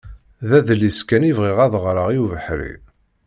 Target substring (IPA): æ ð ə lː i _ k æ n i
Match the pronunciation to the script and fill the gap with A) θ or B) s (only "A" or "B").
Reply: B